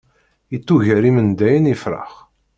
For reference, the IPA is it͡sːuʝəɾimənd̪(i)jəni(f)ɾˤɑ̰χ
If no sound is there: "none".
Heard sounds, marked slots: æ, f

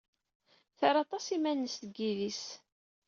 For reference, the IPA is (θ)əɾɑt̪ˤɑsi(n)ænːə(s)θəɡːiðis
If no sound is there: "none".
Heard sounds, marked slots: θ, m, s

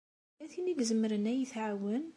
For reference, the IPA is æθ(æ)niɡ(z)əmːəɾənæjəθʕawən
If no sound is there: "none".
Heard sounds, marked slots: i, z

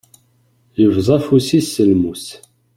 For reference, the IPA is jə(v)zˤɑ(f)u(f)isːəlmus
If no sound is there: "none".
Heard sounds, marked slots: v, f, s

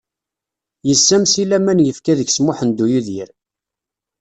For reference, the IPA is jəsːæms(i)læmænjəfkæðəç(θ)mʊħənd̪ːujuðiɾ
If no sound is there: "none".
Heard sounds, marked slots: i, s

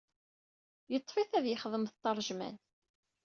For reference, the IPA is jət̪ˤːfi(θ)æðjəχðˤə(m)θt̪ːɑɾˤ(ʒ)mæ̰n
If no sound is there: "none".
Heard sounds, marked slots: θ, m, ʒ

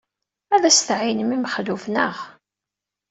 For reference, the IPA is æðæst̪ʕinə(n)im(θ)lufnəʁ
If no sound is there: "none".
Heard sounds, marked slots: m, χ

